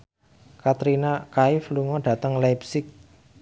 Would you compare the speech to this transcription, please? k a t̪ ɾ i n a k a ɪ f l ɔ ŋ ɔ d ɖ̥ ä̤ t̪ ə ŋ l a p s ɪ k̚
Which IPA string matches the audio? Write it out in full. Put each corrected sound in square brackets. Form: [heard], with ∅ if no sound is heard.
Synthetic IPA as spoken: k a t̪ ɾ i n a k a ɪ f l [u] ŋ ɔ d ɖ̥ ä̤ t̪ ə ŋ l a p s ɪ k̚